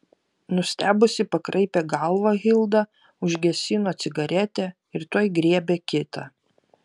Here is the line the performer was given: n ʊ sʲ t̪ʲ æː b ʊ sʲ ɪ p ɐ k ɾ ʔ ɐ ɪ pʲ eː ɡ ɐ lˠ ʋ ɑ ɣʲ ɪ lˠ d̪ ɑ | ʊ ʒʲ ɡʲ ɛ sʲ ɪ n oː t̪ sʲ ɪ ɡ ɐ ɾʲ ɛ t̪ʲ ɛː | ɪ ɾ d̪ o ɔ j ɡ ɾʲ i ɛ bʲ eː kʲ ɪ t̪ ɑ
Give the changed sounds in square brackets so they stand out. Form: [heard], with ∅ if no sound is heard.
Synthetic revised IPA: n ʊ sʲ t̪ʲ æː b ʊ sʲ ɪ p ɐ k ɾ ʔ ɐ ɪ pʲ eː ɡ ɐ lˠ ʋ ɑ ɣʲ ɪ lˠ d̪ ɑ | ʊ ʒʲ ɡʲ ɛ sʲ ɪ n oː t̪ sʲ ɪ ɡ ɐ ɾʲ ɛ t̪ʲ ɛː | ɪ ɾ [t̪] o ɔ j ɡ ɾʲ i ɛ bʲ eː kʲ ɪ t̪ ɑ